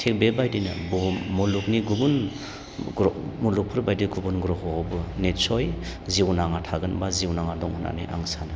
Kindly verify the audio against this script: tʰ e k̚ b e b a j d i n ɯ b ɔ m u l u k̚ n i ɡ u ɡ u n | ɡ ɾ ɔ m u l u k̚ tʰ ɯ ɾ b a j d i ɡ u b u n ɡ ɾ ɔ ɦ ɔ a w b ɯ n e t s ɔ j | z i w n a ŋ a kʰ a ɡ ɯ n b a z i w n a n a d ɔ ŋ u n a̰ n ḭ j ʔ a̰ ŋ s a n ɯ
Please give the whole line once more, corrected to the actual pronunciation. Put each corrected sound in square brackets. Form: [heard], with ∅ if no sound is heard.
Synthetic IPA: tʰ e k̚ b e b a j d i n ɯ b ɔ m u l u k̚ n i ɡ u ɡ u n | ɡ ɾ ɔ m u l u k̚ [pʰ] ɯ ɾ b a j d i ɡ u b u n ɡ ɾ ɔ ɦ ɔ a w b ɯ n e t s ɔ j | z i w n a ŋ a [tʰ] a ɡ ɯ n b a z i w n a [ŋ] a d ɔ ŋ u n a̰ n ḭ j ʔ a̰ ŋ s a n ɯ